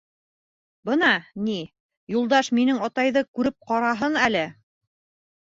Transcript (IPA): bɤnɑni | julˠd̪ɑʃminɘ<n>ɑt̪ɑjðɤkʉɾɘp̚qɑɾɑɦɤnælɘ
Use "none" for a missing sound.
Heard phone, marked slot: ŋ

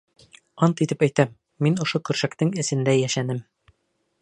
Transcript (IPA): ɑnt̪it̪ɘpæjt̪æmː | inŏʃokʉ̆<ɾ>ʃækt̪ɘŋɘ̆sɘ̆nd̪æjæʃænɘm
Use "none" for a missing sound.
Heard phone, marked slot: ɾ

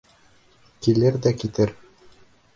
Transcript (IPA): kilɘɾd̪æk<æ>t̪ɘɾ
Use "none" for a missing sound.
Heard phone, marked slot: i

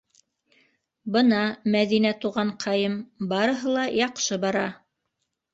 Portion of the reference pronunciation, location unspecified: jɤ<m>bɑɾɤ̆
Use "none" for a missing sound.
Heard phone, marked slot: m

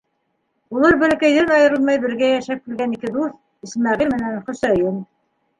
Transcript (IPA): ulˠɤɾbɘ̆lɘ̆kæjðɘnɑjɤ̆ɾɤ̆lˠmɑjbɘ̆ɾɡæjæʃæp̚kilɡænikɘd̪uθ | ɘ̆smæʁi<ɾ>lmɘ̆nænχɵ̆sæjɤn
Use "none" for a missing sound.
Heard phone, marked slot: none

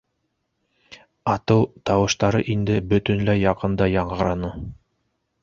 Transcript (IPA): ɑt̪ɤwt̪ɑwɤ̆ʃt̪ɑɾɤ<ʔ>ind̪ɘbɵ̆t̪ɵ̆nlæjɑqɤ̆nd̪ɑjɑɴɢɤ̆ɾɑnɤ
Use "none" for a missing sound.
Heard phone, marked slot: ʔ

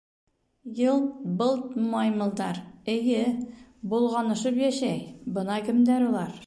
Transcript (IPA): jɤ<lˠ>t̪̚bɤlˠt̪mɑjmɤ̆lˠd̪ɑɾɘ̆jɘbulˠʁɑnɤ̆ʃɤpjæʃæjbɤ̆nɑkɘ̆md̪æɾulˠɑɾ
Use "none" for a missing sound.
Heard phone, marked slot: lˠ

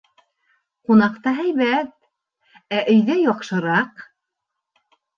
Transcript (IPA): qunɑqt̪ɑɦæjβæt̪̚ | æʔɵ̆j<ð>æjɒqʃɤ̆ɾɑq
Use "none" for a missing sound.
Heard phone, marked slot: ð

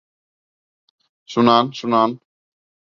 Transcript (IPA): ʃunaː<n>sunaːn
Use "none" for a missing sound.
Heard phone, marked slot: n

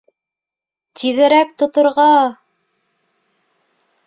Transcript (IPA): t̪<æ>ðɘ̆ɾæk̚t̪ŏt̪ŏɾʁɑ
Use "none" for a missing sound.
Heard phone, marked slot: i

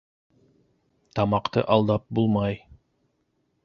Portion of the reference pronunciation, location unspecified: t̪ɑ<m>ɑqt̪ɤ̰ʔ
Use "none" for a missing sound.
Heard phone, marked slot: m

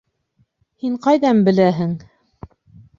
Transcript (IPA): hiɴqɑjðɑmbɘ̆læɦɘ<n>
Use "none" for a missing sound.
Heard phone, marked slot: ŋ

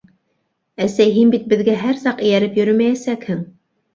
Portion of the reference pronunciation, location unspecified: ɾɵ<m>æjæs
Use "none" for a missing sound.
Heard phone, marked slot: m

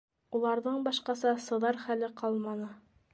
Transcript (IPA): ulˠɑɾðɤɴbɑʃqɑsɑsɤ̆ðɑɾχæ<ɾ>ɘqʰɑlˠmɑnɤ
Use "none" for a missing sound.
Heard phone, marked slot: l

